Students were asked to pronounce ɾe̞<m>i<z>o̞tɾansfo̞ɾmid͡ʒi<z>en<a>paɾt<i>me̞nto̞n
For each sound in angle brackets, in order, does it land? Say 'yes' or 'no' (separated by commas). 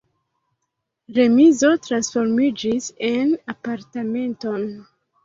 yes, yes, no, yes, no